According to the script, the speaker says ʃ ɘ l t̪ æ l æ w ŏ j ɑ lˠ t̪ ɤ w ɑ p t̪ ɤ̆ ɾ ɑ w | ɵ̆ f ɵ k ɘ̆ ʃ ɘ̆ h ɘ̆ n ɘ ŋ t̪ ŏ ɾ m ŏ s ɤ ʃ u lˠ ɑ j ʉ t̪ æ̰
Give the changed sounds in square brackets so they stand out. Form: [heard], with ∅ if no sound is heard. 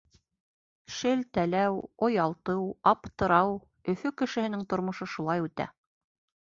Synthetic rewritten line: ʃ ɘ l t̪ æ l æ w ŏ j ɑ lˠ t̪ ɤ w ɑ p t̪ ɤ̆ ɾ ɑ w | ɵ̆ f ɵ k ɘ̆ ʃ ɘ̆ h ɘ̆ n ɘ ŋ t̪ ŏ ɾ m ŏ [ʃ] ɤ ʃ u lˠ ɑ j ʉ t̪ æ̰